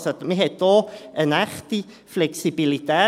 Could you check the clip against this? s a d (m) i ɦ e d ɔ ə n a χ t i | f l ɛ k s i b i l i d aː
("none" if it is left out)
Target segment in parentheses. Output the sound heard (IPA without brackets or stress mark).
m